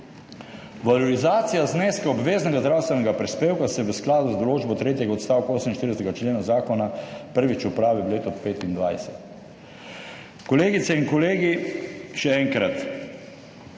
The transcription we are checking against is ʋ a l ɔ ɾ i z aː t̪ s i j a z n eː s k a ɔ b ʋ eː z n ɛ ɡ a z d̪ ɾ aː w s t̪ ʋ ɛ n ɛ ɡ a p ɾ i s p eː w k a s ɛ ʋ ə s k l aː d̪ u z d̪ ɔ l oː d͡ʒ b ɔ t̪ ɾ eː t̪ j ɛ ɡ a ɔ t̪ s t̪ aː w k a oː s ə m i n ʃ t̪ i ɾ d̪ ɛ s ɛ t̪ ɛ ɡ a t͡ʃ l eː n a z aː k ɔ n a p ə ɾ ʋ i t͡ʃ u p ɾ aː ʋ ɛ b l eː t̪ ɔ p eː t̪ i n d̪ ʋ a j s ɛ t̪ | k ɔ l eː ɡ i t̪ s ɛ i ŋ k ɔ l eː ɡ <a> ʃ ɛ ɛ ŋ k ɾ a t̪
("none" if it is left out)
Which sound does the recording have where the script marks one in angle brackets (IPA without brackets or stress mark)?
i